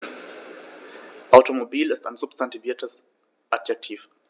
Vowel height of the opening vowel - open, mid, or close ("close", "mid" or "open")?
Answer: open